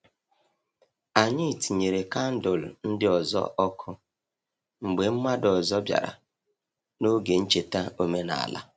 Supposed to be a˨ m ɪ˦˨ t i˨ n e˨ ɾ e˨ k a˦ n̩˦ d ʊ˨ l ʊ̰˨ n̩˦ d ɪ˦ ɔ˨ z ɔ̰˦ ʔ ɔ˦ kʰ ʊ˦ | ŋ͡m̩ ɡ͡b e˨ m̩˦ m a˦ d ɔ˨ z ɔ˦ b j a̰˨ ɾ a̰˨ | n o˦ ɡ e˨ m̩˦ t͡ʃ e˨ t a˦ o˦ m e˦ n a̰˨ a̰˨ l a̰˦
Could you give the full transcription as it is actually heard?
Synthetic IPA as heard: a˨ ɲ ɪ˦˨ t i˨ ɲ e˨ ɾ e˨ k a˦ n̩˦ d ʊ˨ l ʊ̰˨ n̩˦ d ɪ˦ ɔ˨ z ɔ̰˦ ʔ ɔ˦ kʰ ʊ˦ | ŋ͡m̩ ɡ͡b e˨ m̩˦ m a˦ d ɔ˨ z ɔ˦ b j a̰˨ ɾ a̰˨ | n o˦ ɡ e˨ n̩˦ t͡ʃ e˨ t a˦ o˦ m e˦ n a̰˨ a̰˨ l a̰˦